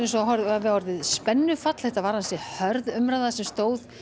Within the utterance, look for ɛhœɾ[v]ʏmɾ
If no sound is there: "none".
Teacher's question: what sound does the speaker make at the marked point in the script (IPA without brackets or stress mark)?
ð